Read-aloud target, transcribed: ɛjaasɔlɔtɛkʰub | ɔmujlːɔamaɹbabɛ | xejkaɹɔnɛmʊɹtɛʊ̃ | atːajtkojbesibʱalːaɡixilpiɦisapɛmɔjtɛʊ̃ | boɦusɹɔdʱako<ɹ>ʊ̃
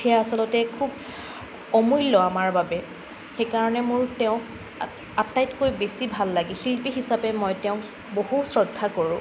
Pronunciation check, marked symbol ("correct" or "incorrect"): correct